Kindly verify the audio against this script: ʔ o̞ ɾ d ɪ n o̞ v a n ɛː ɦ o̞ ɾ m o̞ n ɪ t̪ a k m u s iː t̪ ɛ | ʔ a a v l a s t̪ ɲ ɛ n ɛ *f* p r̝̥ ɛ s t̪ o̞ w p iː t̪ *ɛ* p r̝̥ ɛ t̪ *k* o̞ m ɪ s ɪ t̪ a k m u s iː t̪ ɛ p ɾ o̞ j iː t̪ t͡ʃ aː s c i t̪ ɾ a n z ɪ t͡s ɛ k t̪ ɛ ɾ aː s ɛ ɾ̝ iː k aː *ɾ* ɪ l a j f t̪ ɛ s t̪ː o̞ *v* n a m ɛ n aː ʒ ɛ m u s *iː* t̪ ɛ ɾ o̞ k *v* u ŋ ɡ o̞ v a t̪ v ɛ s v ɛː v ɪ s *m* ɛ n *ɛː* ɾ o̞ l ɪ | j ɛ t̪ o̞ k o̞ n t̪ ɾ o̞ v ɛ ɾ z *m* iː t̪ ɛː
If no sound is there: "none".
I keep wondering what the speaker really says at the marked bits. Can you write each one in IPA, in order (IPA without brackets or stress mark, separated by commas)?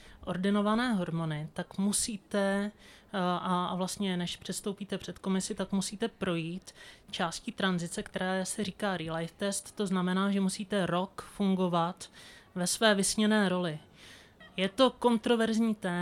ʃ, ɛ, k, ɾ, z, iː, f, ɲ, ɛː, ɲ